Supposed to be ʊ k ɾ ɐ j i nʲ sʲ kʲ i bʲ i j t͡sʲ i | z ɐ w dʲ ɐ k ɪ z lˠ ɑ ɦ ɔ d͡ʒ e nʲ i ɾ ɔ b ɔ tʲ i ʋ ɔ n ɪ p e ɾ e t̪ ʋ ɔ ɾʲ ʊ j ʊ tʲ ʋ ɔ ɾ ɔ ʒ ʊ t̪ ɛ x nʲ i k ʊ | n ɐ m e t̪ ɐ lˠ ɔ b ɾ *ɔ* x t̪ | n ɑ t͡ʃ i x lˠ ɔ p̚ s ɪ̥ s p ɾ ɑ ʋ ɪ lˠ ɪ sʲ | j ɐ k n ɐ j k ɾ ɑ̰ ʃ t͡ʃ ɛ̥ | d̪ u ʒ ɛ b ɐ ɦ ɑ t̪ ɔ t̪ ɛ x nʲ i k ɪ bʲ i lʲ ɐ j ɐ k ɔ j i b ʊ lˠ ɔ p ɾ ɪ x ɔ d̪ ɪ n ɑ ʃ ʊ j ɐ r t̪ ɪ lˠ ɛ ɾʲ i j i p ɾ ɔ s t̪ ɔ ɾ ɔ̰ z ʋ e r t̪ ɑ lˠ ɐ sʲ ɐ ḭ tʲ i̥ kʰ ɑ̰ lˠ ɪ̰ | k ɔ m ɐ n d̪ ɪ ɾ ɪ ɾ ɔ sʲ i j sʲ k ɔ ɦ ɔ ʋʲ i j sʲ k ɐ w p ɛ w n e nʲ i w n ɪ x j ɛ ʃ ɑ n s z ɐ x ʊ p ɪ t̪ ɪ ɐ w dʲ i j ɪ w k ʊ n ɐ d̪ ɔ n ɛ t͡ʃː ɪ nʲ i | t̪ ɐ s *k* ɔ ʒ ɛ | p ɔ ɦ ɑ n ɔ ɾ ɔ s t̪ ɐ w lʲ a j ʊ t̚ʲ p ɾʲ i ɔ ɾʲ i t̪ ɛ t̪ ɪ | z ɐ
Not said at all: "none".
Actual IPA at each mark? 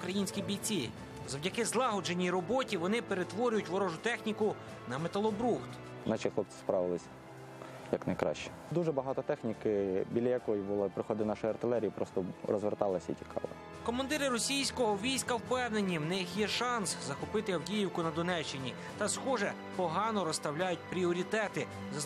u, x

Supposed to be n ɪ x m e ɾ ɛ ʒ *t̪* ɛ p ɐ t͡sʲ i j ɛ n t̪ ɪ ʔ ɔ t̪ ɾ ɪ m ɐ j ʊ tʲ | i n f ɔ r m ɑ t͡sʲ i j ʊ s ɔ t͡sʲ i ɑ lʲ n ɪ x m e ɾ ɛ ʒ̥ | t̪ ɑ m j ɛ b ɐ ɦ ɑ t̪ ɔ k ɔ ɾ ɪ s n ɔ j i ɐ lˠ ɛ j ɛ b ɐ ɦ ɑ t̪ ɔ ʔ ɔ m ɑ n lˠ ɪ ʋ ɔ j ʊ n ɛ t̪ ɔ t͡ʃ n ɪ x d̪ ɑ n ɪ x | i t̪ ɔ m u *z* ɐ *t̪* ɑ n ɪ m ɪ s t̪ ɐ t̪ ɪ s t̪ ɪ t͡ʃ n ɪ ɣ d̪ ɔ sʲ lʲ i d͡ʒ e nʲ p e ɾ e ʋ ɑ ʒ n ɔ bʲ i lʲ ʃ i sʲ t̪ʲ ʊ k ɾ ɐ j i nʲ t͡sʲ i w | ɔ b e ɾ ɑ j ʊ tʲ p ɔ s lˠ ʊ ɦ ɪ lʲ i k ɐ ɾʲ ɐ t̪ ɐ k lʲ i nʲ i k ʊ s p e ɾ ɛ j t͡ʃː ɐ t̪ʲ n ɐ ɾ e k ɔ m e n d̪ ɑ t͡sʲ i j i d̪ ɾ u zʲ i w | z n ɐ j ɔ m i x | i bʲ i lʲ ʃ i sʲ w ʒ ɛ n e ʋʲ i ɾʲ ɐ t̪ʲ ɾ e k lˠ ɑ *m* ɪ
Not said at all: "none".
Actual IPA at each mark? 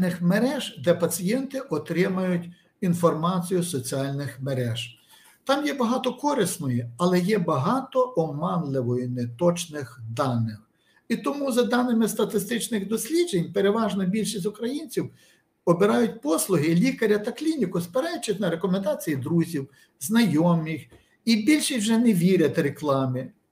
d̪, z, d̪, m

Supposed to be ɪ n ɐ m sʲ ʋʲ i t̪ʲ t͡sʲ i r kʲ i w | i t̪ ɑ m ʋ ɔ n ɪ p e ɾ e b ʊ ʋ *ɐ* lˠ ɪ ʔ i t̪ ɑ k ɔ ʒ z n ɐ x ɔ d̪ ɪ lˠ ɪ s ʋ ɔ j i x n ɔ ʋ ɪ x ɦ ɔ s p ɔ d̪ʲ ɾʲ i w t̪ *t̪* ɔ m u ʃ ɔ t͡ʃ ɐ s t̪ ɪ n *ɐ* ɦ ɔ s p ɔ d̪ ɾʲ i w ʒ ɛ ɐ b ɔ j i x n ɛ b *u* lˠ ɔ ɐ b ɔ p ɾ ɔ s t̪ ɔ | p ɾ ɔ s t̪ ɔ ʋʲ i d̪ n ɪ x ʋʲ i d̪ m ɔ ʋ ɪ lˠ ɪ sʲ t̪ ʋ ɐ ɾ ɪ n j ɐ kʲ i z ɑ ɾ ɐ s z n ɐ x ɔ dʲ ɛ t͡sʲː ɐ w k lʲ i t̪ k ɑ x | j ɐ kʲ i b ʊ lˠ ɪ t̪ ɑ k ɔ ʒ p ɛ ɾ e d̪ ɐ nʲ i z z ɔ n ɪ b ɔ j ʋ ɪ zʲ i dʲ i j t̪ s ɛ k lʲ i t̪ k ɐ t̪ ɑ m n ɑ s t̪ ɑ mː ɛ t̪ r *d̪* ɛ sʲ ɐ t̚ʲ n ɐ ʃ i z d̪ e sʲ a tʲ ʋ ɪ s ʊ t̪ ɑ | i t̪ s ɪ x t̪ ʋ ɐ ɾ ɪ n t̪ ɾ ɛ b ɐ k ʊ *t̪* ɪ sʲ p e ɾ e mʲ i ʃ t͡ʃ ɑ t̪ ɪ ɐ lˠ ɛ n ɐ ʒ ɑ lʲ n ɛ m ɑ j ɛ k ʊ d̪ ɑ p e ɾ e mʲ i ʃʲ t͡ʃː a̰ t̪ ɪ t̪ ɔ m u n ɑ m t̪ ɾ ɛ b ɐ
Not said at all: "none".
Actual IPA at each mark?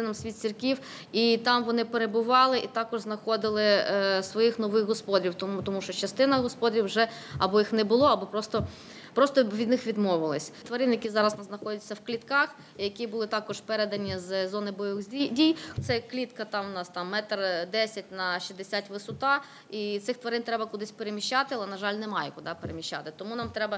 ɑ, t̪, ɐ, ʊ, d̪, d̪

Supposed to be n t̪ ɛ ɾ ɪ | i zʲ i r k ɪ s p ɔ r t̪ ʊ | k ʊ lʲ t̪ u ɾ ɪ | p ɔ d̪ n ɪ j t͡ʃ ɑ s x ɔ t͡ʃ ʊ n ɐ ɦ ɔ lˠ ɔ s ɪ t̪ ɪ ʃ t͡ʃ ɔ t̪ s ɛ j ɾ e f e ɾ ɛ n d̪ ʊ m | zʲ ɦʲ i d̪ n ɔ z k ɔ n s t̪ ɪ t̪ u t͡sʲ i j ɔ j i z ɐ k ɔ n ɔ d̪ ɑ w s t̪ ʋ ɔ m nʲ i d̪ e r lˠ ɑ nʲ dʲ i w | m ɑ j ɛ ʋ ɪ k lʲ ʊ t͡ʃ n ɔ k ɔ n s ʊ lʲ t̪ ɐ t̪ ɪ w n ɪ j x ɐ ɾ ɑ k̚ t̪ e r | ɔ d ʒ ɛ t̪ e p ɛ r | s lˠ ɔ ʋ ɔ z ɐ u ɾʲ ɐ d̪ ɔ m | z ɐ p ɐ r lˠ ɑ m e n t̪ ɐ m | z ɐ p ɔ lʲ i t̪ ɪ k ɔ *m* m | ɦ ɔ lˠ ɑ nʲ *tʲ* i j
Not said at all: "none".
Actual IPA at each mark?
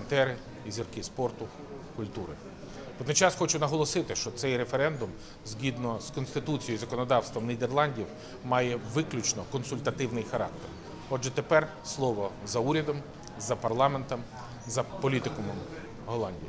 m, dʲ

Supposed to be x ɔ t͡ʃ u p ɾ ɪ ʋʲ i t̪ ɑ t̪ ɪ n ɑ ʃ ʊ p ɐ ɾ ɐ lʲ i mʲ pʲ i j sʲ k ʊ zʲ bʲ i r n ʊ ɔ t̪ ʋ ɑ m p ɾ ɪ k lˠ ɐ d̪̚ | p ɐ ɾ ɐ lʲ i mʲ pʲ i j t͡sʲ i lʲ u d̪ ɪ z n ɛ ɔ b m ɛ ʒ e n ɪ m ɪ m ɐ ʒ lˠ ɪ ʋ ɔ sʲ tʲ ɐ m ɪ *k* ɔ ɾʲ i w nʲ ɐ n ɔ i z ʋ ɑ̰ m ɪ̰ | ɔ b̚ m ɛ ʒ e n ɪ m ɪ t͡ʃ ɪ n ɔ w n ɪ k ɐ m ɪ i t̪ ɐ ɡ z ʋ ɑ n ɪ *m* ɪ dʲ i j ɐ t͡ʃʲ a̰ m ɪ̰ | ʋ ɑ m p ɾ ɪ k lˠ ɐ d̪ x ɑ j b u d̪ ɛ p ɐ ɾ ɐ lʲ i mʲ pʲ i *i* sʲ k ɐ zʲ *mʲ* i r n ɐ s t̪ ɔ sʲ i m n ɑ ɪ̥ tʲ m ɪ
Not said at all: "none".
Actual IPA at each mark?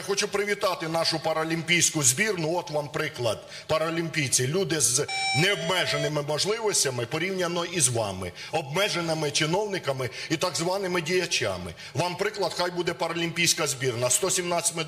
p, m, j, bʲ

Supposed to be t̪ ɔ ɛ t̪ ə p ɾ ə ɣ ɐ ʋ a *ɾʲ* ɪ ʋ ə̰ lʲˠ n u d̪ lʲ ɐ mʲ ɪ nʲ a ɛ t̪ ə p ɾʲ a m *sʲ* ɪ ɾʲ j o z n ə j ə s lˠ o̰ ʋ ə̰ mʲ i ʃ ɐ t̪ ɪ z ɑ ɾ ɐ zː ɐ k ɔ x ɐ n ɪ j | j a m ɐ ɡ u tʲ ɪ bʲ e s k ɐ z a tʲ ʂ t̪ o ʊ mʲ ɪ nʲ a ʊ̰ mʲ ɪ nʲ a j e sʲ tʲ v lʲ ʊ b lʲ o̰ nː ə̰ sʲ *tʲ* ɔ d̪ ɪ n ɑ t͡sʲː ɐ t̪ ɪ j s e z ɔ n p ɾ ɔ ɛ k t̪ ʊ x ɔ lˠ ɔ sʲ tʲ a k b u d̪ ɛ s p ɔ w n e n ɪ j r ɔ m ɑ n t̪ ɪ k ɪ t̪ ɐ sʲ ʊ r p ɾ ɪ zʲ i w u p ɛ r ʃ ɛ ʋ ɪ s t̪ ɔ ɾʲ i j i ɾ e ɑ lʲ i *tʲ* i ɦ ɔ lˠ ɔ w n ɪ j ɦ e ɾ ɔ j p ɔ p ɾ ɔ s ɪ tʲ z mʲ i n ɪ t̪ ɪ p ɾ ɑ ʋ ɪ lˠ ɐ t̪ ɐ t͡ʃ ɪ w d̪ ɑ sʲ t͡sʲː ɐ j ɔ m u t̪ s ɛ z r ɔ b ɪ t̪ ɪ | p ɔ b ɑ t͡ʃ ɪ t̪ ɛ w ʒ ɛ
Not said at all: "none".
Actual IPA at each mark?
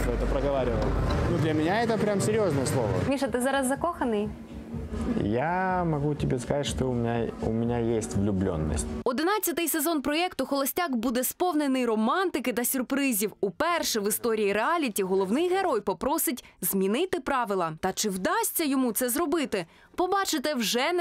ɾʲ, sʲ, tʲ, tʲ

